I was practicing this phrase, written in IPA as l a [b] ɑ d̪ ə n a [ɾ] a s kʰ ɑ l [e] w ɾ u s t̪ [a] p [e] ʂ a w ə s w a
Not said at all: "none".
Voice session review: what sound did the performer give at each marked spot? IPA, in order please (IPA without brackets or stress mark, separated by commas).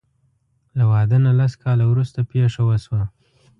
w, l, a, a, e